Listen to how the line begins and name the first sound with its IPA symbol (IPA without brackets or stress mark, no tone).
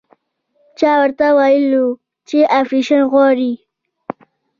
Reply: t͡ʃ